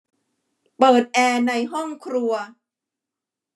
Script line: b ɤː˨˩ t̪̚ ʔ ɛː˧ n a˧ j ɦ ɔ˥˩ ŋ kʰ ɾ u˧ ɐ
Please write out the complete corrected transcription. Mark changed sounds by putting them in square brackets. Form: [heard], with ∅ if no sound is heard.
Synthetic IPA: [p] ɤː˨˩ t̪̚ ʔ ɛː˧ n a˧ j ɦ ɔ˥˩ ŋ kʰ ɾ u˧ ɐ